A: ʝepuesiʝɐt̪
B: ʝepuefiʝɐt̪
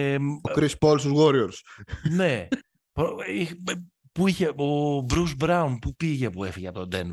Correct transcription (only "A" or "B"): B